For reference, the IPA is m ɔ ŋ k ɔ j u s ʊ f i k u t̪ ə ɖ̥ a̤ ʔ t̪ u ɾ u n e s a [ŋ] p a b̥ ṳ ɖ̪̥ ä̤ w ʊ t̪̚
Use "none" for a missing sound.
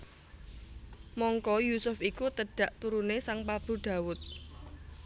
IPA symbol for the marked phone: ŋ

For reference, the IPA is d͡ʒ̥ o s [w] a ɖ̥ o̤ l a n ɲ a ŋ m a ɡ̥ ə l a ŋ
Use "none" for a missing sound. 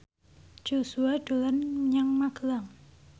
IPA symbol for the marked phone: u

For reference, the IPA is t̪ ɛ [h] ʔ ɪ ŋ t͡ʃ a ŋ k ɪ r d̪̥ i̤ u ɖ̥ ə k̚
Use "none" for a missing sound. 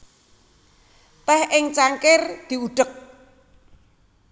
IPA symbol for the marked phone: h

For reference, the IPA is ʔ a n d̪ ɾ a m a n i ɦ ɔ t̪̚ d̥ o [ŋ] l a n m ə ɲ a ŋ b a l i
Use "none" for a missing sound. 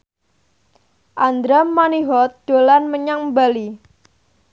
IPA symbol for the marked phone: none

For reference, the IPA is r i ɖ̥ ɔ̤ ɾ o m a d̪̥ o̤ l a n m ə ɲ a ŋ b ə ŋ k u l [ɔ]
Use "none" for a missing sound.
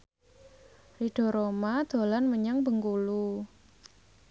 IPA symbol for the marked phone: u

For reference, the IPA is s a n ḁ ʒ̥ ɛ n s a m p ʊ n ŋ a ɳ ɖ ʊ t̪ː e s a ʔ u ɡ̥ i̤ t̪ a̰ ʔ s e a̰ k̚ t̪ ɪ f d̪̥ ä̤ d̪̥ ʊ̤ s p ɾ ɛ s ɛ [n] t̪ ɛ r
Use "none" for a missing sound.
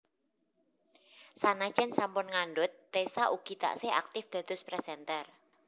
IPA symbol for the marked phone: n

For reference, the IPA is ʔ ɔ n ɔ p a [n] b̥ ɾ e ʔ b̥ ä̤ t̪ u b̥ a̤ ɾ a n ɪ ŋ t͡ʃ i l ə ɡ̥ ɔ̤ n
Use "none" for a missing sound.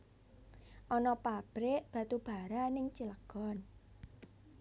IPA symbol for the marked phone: none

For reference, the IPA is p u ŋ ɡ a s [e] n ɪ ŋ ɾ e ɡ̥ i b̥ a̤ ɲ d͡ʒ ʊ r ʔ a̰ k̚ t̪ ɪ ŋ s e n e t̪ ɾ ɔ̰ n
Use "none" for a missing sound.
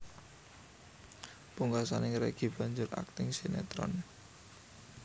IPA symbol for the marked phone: a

